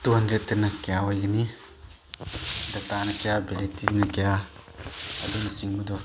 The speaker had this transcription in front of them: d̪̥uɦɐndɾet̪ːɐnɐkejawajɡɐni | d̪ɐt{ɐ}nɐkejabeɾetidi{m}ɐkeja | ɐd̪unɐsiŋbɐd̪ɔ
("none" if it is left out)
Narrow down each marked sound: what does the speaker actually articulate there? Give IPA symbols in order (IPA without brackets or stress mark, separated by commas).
a, n